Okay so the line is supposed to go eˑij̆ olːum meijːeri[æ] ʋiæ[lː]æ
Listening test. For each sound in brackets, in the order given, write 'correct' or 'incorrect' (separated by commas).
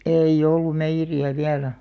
correct, incorrect